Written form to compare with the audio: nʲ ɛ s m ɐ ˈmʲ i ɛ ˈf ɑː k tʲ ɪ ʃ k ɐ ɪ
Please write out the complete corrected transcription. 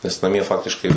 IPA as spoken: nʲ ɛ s n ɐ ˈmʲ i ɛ ˈf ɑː k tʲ ɪ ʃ k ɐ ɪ